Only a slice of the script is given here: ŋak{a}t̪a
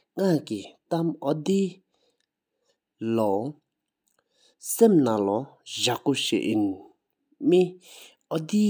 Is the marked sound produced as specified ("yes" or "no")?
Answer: no